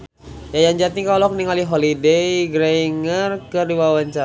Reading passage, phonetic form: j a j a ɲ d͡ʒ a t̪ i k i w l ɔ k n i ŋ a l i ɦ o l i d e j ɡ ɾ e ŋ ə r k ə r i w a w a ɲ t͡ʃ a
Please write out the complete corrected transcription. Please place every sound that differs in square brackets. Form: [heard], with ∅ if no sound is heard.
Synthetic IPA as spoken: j a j a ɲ d͡ʒ a t̪ i k [a] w l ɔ k n i ŋ a l i ɦ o l i d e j ɡ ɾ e ŋ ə r k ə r i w a w a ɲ t͡ʃ a